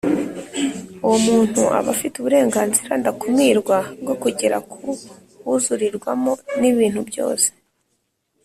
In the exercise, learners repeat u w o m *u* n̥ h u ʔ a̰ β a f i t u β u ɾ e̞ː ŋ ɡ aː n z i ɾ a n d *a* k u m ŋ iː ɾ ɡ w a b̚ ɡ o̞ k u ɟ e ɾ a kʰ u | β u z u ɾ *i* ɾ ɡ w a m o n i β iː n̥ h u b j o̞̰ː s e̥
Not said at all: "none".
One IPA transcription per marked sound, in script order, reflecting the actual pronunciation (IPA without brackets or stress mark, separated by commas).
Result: uː, a, i